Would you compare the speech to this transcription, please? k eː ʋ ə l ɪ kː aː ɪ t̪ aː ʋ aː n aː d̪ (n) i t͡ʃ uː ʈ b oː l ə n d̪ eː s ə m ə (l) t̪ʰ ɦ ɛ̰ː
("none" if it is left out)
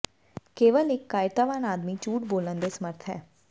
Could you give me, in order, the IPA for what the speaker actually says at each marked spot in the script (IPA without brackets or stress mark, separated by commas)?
m, ɾ